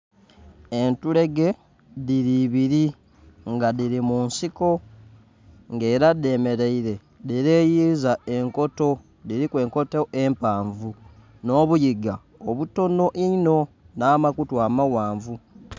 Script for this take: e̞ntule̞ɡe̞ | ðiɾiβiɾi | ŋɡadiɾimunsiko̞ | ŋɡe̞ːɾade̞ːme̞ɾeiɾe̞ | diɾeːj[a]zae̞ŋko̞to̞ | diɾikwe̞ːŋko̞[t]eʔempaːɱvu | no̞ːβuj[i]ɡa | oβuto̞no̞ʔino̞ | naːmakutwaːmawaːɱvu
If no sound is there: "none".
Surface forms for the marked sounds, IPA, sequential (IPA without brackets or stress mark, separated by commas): i, t, i